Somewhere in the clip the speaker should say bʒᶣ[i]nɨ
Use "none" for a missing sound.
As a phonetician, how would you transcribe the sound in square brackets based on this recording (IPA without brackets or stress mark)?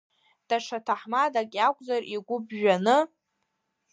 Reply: a